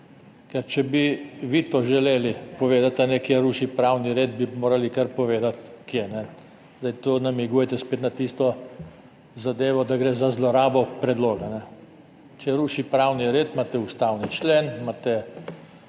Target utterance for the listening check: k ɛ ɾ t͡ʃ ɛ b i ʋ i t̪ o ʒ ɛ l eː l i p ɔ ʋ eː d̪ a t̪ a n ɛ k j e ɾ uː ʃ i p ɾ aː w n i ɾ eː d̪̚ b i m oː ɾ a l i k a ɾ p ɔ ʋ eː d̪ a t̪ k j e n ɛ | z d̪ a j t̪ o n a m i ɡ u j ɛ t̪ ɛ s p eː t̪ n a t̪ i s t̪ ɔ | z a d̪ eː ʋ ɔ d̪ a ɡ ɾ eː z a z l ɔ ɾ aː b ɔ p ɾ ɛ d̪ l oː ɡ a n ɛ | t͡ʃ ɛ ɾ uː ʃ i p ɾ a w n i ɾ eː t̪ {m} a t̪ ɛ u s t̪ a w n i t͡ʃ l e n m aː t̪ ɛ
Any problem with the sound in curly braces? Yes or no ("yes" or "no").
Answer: no